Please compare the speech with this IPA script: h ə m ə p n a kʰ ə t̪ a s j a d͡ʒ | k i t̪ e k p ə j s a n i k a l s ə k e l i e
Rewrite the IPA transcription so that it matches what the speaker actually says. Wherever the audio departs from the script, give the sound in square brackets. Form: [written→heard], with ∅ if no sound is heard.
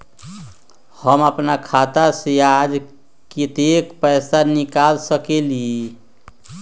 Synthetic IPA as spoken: h ə m ə p n a kʰ [ə→a] t̪ a s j a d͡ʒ | k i t̪ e k p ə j s a n i k a l s ə k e l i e